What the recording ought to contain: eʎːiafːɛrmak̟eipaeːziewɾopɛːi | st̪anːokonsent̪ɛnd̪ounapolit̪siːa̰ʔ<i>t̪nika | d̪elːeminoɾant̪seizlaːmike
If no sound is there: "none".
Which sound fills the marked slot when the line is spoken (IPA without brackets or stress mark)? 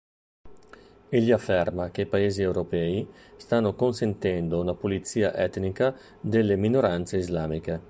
ɛ